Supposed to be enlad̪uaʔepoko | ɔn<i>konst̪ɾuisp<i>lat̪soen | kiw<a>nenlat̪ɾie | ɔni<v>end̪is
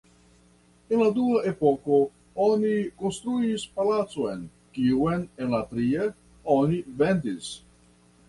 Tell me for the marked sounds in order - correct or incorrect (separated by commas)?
correct, incorrect, incorrect, correct